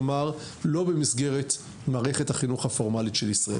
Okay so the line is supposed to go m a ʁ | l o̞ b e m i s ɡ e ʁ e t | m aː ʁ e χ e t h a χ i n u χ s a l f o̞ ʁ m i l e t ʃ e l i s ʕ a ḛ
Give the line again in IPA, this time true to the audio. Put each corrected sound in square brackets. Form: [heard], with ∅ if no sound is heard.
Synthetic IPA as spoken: m a ʁ | l o̞ b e m i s ɡ e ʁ e t | m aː ʁ e χ e t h a χ i n u χ [h] a [∅] f o̞ ʁ m [a] l [i] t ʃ e l i s [ʁ] a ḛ

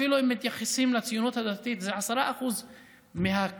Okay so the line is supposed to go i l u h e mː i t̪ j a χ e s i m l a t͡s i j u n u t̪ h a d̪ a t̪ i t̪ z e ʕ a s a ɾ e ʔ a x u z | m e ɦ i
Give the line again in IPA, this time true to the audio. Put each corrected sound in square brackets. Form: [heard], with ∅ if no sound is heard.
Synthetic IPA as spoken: i l u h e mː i t̪ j a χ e s i m l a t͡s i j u n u t̪ h a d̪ a t̪ i t̪ z e ʕ a s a ɾ [a] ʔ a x u z | m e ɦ [a]

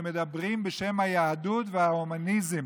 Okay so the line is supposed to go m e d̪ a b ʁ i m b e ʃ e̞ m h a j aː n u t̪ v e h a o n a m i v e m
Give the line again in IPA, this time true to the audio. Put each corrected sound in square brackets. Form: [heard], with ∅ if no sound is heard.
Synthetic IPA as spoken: m e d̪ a b ʁ i m b e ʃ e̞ m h a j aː [d] u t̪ v e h a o [m] a [n] i [z] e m

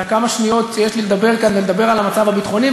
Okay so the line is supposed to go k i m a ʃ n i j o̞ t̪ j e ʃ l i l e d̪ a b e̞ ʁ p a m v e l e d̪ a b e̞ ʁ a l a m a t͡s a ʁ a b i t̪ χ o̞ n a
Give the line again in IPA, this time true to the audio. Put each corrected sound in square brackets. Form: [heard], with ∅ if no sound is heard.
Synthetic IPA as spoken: k [a] m a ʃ n i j o̞ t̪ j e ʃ l i l e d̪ a b e̞ ʁ [k] a [n] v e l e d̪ a b e̞ ʁ a l a m a t͡s a [v] a b i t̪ χ o̞ n [i]

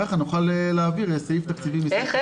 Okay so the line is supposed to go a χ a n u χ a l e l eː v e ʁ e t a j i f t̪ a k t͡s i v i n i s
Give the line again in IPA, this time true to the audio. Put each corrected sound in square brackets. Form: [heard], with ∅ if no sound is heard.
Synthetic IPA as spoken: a χ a n u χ a l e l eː v [i] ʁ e [s] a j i f t̪ a k t͡s i v i [m] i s

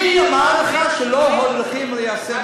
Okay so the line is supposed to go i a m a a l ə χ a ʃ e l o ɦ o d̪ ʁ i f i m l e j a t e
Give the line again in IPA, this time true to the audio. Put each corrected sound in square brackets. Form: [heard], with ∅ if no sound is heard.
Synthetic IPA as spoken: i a m a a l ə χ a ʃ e l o ɦ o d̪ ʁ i [χ] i m l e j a [s] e

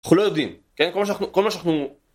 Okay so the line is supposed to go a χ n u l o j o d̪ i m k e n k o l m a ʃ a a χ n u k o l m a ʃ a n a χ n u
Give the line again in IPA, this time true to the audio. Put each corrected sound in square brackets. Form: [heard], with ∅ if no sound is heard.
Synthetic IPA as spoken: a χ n u l o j o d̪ i m k e n k o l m a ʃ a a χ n u k o l m a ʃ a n a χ n u

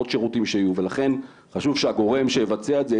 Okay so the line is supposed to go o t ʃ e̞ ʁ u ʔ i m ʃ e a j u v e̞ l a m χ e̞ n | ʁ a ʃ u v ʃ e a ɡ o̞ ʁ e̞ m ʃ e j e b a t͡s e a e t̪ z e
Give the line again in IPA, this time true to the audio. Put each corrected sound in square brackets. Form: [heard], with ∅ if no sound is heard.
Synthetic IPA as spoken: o t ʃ e̞ ʁ u [t] i m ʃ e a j u v e̞ l a [∅] χ e̞ n | [χ] a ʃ u v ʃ e a ɡ o̞ ʁ e̞ m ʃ e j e [v] a t͡s e a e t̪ z e

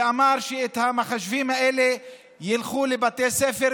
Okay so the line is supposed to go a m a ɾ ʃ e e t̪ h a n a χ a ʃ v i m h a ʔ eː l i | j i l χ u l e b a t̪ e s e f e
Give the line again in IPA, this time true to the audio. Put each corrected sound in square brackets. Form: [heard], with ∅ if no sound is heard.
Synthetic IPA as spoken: a m a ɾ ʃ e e t̪ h a [m] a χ a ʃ v i m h a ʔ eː l [e] | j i l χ u l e b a t̪ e s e f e

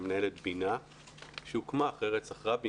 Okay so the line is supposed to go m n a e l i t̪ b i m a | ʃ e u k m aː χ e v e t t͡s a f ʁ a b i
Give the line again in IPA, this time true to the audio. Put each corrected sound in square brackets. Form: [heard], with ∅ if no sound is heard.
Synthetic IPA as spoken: m n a e l [e] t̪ b i [n] a | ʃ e u k m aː χ e [ʁ] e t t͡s a [χ] ʁ a b i

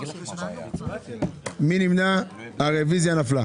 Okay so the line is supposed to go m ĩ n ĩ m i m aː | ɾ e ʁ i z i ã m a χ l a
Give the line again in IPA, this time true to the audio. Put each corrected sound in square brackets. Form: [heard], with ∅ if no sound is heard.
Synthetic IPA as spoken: m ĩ n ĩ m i [n] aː | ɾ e [v] i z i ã [n] a [f] l a

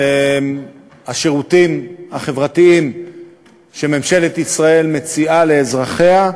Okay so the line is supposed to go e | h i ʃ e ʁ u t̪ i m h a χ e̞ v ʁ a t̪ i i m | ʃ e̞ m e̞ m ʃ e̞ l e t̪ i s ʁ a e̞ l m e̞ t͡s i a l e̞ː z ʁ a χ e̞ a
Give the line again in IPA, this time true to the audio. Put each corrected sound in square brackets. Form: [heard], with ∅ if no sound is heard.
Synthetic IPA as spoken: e | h [a] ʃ e ʁ u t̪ i m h a χ e̞ v ʁ a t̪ i i m | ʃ e̞ m e̞ m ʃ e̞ l e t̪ i s ʁ a e̞ l m e̞ t͡s i a l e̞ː z ʁ a χ e̞ a

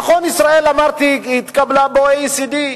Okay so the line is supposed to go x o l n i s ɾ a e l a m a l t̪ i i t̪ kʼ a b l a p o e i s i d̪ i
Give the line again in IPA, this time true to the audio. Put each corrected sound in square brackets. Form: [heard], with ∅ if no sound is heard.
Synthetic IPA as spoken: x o [∅] n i s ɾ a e l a m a [ɾ] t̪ i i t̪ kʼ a b l a [b] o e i s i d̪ i

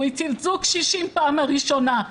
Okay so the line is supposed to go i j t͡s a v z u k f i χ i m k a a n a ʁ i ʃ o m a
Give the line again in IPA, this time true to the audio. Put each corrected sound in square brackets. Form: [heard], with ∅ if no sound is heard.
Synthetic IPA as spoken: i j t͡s [i] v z u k [ʃ] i [ʃ] i m [p] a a [m] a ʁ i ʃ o [n] a

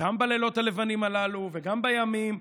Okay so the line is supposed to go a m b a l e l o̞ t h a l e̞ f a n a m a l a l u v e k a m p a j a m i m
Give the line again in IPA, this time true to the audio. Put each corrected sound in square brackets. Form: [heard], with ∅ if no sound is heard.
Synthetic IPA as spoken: a m b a l e l o̞ t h a l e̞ [v] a n [i] m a l a l u v e [ɡ] a m [b] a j a m i m

